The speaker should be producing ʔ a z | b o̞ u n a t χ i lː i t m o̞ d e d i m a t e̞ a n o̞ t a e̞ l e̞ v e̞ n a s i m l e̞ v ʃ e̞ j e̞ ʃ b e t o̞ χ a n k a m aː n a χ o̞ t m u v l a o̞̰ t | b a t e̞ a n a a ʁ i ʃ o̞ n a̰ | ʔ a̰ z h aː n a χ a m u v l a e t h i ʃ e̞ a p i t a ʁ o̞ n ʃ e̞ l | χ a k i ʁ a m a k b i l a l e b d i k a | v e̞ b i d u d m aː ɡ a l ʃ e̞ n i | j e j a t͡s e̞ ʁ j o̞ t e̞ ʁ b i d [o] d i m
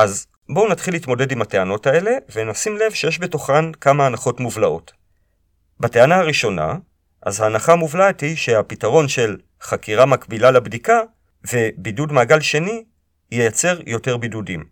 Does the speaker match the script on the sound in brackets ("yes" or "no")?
no